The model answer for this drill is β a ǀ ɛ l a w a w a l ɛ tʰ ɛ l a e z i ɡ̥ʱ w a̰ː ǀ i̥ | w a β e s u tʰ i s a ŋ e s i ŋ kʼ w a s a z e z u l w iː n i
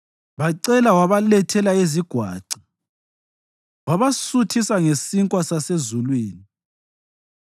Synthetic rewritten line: β a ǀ ɛ l a w a β a l ɛ tʰ ɛ l a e z i ɡ̥ʱ w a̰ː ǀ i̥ | w a β a s u tʰ i s a ŋ e s i ŋ kʼ w a s a s e z u l w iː n i